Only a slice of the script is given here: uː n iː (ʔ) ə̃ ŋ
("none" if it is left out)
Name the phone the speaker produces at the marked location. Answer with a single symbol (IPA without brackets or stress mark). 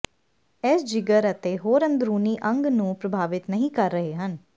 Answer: ʔ